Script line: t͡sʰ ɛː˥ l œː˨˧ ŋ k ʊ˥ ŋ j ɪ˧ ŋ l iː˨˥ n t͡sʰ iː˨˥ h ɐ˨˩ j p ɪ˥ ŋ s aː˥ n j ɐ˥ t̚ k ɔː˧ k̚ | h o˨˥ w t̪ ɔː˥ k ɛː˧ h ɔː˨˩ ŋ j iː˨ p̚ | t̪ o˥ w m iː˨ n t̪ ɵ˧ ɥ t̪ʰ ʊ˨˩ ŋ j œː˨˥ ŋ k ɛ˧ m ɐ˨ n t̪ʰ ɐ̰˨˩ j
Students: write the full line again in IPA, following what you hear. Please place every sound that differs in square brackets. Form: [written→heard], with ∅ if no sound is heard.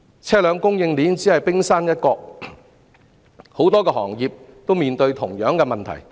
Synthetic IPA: t͡sʰ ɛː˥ l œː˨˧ ŋ k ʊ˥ ŋ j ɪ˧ ŋ l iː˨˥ n [t͡sʰ→t͡s] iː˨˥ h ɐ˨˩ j p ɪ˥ ŋ s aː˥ n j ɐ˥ t̚ k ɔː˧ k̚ | h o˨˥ w t̪ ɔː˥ k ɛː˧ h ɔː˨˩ ŋ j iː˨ p̚ | t̪ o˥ w m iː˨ n t̪ ɵ˧ ɥ t̪ʰ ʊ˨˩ ŋ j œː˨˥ ŋ k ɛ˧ m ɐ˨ n t̪ʰ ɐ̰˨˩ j